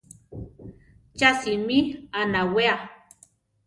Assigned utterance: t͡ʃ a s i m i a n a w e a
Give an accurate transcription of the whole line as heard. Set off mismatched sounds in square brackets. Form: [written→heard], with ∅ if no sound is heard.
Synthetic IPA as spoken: t͡ʃ a s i m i a n a w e a